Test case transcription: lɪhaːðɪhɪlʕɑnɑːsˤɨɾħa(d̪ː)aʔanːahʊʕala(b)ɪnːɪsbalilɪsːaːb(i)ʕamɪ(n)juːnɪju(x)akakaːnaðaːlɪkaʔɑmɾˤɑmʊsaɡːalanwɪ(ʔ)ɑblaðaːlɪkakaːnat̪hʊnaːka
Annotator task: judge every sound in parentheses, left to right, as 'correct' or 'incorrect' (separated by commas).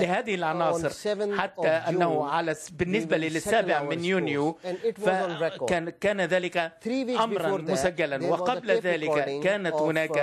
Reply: incorrect, correct, incorrect, correct, incorrect, incorrect